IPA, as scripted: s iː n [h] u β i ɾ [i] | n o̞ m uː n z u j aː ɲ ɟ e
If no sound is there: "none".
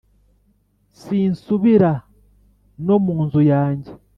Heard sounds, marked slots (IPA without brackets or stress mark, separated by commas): s, a